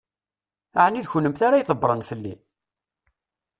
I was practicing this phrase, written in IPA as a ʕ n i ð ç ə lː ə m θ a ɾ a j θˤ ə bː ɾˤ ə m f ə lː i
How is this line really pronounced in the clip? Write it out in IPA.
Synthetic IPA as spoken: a ʕ n i ð ç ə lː ə m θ a ɾ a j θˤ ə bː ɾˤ ə n f ə lː i